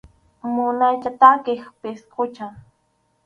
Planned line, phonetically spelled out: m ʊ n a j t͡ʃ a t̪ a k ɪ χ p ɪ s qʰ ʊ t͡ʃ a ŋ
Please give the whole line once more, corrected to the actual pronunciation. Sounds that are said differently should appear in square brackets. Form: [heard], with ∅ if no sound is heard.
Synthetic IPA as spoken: m ʊ n a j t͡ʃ a t̪ a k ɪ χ p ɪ s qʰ ʊ t͡ʃ a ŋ